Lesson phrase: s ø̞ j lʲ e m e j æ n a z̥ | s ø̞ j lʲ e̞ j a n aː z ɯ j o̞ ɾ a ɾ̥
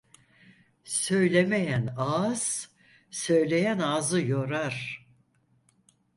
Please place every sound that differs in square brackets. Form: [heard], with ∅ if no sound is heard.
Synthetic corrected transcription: s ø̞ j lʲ e m e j æ n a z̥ | s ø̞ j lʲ e̞ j [æ] n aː z ɯ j o̞ ɾ a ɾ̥